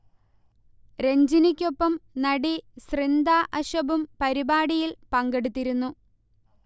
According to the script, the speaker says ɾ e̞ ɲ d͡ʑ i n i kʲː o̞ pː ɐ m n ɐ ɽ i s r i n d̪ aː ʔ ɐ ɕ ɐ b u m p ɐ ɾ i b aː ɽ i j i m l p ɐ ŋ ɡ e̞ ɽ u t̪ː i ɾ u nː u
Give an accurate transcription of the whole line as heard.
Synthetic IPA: ɾ e̞ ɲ d͡ʑ i n i kʲː o̞ pː ɐ m n ɐ ɽ i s r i n d̪ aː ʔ ɐ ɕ ɐ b u m p ɐ ɾ i b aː ɽ i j i l p ɐ ŋ ɡ e̞ ɽ u t̪ː i ɾ u nː u